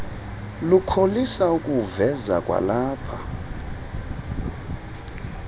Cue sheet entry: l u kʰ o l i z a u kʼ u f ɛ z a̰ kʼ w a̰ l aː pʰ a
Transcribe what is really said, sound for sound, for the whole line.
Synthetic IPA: l u kʰ o l i s a u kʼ u v ɛ z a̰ kʼ w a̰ l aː pʰ a